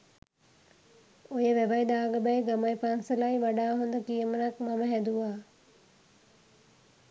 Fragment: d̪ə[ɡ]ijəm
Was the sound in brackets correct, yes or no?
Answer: no